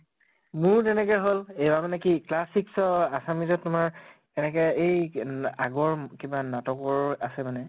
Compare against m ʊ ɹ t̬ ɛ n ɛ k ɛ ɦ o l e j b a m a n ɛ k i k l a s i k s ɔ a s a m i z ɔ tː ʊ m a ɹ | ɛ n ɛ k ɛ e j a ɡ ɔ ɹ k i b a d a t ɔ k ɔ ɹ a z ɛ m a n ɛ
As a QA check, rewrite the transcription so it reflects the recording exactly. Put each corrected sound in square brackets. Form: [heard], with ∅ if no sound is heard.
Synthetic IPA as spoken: m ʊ ɹ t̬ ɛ n ɛ k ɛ ɦ o l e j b a m a n ɛ k i k l a s i k s ɔ a s a m i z ɔ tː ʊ m a ɹ | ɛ n ɛ k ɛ e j a ɡ ɔ ɹ k i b a [n] a t ɔ k ɔ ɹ a [s] ɛ m a n ɛ